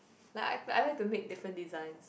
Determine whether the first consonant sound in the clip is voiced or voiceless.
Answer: voiced